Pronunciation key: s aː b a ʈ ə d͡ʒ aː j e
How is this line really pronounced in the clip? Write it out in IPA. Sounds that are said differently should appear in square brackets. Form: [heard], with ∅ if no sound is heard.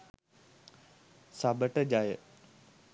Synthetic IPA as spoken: s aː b [ə] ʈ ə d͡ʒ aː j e